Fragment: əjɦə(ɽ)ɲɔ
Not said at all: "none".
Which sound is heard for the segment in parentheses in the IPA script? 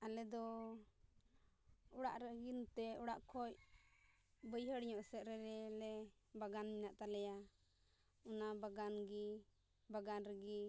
ɽ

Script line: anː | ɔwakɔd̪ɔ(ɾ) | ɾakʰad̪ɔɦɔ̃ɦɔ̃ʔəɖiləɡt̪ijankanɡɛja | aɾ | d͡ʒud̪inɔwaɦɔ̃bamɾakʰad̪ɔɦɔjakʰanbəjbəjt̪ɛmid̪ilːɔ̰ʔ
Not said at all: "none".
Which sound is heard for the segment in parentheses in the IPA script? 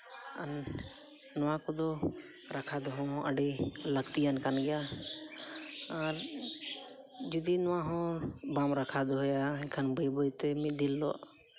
none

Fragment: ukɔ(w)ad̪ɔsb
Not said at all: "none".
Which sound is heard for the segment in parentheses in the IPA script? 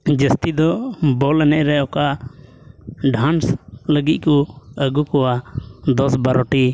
w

